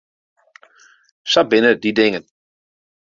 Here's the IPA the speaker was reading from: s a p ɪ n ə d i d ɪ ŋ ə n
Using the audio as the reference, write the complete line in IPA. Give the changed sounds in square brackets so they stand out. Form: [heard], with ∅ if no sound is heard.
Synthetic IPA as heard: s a [b] ɪ n ə d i d ɪ ŋ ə n

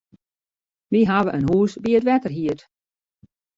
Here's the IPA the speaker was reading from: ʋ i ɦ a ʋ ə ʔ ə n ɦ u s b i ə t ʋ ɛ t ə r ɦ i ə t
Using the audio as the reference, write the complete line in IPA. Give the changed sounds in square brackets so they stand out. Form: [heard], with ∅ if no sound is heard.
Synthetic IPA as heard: ʋ i ɦ a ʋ ə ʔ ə n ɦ [uː] s b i ə t ʋ ɛ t ə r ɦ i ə t

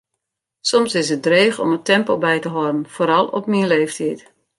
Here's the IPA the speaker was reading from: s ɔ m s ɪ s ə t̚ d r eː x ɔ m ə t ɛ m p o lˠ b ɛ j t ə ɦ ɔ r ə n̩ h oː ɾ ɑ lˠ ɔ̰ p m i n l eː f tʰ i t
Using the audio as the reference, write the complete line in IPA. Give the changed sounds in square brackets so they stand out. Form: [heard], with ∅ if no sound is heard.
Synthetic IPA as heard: s ɔ m s ɪ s ə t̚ d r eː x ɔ m ə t ɛ m p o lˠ b ɛ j t ə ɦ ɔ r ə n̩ [f] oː ɾ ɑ lˠ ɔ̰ p m i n l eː f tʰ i t

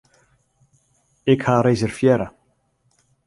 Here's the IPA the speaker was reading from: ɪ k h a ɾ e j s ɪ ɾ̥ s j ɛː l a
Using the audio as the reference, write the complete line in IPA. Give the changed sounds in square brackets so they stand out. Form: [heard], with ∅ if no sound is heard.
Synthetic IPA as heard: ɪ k h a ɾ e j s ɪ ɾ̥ [f] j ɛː [ɾ] a

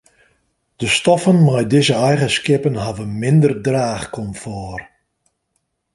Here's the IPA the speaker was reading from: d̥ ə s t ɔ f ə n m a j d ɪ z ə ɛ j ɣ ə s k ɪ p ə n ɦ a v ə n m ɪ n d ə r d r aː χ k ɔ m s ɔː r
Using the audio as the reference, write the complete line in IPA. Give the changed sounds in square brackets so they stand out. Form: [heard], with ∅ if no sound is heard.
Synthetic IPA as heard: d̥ ə s t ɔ f ə n m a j d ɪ z ə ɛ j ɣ ə s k ɪ p ə n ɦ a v ə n m ɪ n d ə r d r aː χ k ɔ m [f] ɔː r

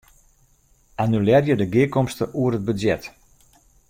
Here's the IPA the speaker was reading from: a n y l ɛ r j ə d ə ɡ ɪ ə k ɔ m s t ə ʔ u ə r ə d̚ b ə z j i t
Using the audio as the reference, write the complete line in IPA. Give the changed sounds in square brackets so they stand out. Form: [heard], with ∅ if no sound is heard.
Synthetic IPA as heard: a n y l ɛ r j ə d ə ɡ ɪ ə k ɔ m s t ə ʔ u ə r ə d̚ b ə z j [ɛ] t

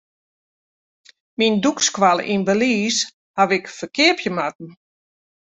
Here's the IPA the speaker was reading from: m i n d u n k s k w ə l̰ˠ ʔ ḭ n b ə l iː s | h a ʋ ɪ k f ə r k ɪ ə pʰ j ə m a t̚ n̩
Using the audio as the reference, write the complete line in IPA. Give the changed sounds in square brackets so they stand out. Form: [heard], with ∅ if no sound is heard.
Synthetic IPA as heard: m i n d u [∅] k s k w [a] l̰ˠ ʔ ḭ n b ə l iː s | h a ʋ ɪ k f ə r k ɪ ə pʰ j ə m a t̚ n̩

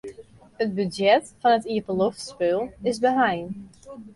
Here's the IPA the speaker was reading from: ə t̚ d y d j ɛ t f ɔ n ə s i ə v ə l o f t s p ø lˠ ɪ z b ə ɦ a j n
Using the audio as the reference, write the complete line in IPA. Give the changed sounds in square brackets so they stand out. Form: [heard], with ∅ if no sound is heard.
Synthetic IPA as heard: ə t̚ [b] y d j ɛ t f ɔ n ə [t] i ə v ə l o f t s p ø lˠ ɪ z b ə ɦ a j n

